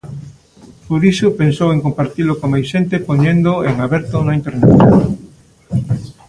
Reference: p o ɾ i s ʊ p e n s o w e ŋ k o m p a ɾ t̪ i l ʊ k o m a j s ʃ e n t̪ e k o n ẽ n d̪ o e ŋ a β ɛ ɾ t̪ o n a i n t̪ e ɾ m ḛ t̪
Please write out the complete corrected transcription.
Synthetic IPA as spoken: p o ɾ i s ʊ p e n s o w e ŋ k o m p a ɾ t̪ i l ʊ k o m a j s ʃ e n t̪ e p o ɲ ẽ n d̪ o e ŋ a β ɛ ɾ t̪ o n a i n t̪ e ɾ n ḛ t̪